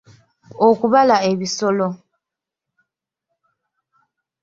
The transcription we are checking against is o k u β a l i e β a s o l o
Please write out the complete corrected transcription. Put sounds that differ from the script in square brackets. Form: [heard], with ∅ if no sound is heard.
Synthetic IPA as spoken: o k u β a l [a] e β [i] s o l o